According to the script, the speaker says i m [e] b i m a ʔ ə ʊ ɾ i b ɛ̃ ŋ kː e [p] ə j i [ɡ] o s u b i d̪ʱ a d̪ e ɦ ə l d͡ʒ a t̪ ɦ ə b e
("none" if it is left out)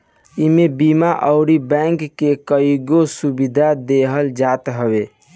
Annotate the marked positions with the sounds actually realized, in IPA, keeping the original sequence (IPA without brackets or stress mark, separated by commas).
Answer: e, k, ɡ